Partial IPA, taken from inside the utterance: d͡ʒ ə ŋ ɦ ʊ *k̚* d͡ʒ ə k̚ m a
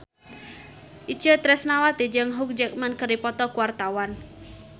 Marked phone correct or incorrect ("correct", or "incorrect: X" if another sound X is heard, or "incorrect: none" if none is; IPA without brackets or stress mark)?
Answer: correct